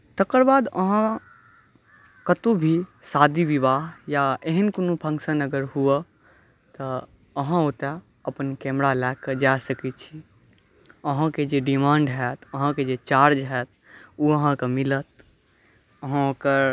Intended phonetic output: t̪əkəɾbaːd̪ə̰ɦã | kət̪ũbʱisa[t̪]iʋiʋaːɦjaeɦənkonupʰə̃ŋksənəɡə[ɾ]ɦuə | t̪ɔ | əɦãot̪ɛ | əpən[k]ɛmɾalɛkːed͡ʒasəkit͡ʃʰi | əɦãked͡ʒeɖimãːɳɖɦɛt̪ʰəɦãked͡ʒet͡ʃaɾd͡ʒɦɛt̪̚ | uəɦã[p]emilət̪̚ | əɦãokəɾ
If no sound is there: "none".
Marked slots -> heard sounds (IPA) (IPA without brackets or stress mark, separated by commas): d̪, ɾ, k, k